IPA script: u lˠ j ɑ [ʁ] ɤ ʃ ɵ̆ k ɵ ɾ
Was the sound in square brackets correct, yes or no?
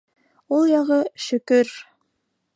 yes